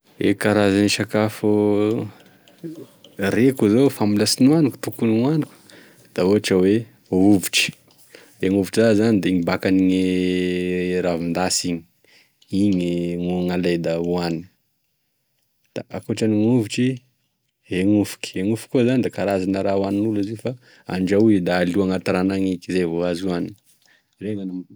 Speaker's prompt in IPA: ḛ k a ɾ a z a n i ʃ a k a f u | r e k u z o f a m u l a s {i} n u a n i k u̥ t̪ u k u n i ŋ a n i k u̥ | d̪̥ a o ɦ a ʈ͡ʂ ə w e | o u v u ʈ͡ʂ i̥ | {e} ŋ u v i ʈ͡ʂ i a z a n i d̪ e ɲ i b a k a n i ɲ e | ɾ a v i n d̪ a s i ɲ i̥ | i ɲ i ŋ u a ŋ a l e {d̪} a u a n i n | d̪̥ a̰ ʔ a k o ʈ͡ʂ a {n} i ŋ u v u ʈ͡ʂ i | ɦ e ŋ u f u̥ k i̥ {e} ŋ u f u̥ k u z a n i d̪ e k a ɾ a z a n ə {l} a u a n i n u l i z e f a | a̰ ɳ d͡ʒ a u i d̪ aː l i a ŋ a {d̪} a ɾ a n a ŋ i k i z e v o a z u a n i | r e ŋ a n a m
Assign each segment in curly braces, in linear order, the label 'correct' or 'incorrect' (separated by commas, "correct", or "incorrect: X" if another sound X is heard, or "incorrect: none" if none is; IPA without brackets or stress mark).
correct, correct, correct, correct, correct, incorrect: ɾ, incorrect: t̪